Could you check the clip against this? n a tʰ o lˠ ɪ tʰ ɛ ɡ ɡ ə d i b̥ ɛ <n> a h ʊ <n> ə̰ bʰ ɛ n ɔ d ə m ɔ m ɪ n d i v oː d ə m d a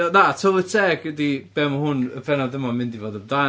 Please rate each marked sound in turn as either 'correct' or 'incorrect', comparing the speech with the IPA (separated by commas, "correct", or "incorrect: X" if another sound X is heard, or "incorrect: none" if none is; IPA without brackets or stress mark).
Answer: incorrect: m, correct